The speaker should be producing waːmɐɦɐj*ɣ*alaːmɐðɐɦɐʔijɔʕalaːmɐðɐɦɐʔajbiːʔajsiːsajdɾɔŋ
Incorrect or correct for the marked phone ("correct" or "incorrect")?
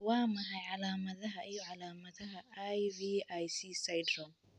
incorrect